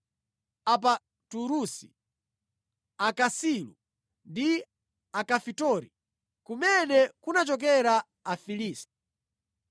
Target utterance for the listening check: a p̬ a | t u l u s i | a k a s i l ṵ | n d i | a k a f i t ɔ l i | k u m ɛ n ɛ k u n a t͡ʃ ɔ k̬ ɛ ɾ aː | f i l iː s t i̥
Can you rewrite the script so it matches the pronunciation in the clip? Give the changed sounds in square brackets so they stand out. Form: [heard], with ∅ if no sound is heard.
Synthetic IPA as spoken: a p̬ a | t u [ɾ] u s i | a k a s i l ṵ | n d i | a k a f i t ɔ [ɾ] i | k u m ɛ n ɛ k u n a t͡ʃ ɔ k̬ ɛ ɾ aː | f i l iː s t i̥